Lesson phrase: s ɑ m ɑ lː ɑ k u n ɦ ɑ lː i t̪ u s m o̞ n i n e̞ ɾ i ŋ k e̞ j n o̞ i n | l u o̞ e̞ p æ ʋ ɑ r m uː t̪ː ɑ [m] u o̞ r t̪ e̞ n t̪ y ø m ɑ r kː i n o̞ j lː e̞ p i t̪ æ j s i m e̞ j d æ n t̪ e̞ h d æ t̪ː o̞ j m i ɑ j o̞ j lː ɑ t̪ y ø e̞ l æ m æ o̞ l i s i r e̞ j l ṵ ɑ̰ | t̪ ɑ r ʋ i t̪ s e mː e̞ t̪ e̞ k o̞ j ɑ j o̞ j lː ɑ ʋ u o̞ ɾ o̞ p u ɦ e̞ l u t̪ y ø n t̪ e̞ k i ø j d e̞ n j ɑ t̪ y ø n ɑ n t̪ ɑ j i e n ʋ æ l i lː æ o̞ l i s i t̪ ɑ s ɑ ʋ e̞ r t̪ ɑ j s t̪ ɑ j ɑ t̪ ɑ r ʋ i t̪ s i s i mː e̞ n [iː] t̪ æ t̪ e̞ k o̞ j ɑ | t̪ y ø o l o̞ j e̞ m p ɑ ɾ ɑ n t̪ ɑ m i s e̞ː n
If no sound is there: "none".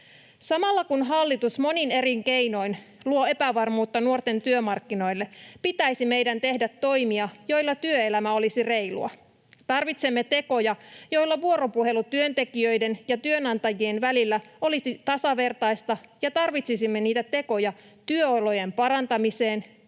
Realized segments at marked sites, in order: n, iː

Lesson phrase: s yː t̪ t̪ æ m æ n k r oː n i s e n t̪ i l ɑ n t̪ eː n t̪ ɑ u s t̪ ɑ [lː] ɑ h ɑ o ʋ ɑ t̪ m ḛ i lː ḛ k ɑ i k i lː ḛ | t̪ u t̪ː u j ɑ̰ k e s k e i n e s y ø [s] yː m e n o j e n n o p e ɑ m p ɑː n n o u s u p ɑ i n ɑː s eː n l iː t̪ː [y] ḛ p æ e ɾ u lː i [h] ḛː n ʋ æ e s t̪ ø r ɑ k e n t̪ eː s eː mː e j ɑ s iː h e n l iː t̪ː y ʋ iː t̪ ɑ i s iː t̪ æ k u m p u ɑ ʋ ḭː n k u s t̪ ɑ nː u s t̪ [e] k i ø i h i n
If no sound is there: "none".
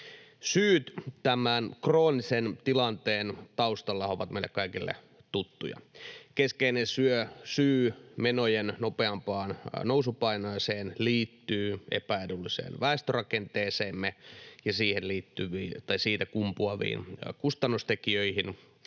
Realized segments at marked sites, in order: lː, s, yː, s, e

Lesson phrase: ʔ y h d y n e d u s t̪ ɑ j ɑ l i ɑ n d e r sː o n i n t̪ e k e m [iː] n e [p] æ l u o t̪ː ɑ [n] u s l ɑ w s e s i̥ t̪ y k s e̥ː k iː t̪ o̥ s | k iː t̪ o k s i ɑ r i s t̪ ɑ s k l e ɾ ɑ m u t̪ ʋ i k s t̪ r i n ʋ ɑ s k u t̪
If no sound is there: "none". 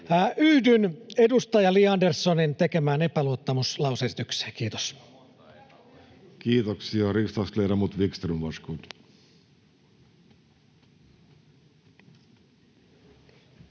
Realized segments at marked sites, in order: æː, p, m

